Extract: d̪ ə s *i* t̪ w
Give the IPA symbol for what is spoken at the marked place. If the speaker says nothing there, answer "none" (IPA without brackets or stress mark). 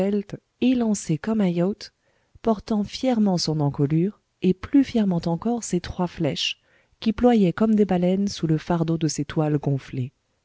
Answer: e